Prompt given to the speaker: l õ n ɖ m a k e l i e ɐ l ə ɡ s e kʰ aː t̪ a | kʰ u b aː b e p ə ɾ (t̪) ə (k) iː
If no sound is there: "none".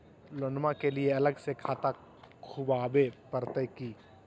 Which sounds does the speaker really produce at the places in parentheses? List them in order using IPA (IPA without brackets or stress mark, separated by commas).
t̪, k